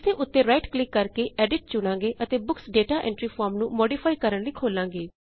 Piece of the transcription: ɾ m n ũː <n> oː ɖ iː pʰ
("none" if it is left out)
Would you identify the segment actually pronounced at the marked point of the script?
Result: m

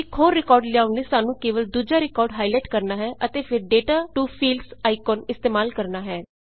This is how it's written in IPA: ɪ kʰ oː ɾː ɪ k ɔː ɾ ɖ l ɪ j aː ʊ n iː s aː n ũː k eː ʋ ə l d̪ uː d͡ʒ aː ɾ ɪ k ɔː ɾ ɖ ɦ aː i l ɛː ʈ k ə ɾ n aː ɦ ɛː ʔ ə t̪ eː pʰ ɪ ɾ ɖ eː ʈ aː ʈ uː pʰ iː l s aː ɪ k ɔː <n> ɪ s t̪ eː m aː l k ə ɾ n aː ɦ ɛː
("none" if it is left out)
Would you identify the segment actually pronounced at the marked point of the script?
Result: n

